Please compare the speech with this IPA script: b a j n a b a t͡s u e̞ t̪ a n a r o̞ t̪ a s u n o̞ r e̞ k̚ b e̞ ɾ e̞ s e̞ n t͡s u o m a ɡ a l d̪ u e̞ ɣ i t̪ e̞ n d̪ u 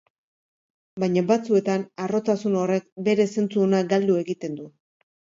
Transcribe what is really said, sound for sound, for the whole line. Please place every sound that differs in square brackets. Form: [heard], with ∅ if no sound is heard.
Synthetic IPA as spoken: b a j [ɲ] a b a t͡s u e̞ t̪ a n a r o̞ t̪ a s u n o̞ r e̞ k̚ b e̞ ɾ e̞ s e̞ n t͡s u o [n] a ɡ a l d̪ u e̞ ɣ i t̪ e̞ n d̪ u